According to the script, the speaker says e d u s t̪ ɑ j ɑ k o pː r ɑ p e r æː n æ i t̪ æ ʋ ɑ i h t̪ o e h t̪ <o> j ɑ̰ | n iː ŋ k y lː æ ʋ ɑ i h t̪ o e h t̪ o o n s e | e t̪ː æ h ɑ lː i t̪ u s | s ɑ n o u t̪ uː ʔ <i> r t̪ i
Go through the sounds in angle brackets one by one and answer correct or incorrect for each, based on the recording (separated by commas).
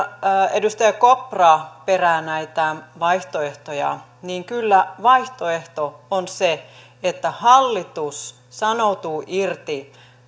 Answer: correct, correct